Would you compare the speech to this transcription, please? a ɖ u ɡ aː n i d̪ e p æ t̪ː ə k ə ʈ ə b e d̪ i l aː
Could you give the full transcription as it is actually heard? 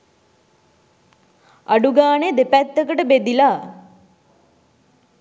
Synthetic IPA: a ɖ u ɡ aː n e d̪ e p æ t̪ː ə k ə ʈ ə b e d̪ i l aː